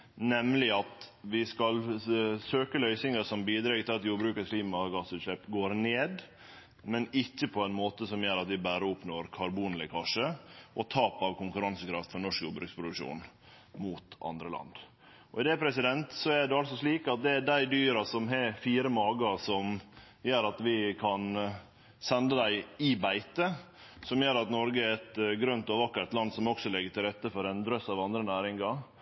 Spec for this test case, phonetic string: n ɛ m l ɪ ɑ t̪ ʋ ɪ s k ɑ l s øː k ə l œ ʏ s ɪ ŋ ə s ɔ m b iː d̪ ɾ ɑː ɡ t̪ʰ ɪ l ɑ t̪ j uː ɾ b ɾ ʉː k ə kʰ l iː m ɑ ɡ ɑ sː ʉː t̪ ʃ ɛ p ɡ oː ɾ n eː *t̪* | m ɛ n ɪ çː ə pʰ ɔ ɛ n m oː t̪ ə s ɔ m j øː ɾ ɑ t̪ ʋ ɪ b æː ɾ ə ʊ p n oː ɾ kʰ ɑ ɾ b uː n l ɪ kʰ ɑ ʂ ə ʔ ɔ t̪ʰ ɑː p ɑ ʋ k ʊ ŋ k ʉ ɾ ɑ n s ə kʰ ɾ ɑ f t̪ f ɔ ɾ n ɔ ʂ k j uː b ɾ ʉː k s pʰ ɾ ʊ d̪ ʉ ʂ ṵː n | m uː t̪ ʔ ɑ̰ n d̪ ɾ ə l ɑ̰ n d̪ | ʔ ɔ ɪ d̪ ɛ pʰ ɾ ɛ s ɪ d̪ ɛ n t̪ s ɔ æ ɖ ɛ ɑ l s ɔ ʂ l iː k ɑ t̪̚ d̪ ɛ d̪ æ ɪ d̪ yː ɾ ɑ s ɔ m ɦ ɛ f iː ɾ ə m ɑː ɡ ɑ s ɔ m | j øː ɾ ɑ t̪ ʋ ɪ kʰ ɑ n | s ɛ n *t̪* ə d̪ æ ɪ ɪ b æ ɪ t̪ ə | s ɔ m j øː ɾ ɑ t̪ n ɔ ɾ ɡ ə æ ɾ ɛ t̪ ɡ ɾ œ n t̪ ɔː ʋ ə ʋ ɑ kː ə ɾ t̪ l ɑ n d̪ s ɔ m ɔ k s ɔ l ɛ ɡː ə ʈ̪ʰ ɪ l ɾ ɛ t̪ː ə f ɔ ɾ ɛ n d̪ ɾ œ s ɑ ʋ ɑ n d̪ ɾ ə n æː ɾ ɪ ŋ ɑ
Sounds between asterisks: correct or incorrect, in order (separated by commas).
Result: incorrect, incorrect